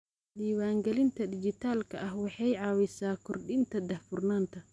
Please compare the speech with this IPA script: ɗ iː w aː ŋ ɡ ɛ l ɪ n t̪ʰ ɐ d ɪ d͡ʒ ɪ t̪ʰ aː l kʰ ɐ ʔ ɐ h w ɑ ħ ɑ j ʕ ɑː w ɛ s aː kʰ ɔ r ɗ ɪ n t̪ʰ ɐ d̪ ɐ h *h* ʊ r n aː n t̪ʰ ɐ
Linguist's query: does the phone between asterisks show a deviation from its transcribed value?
yes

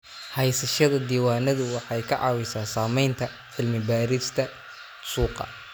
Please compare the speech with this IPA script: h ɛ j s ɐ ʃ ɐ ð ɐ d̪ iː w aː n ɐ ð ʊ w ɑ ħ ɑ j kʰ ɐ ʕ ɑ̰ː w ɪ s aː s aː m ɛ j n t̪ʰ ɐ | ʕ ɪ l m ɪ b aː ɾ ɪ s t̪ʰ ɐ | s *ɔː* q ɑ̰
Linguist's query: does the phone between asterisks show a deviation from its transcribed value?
yes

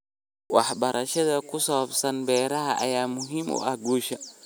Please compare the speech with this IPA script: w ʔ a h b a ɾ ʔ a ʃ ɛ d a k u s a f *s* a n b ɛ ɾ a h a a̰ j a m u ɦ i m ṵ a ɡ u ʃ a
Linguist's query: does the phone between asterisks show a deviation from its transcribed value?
no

